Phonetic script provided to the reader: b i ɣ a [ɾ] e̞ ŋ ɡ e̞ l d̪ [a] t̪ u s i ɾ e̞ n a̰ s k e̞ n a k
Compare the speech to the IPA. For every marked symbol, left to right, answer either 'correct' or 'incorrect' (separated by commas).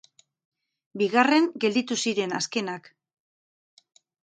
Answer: incorrect, incorrect